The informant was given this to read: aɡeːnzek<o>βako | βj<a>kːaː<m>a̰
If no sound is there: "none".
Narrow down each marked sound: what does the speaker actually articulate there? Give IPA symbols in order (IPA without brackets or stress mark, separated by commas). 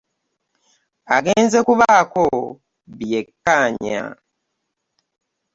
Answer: u, e, ɲ